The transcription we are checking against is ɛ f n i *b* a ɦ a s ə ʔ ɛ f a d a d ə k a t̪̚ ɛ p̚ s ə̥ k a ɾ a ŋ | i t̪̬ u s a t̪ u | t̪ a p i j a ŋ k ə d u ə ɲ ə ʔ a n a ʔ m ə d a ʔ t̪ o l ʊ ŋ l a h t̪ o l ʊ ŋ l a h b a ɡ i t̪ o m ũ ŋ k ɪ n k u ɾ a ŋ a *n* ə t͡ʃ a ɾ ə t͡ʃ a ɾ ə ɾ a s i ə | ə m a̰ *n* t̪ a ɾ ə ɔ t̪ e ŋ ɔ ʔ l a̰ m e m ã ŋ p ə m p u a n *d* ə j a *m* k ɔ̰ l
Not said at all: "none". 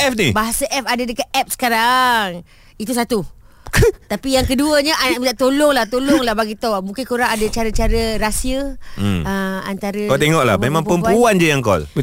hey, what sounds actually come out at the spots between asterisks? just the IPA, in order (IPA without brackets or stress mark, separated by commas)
b, d, n, d͡ʒ, ŋ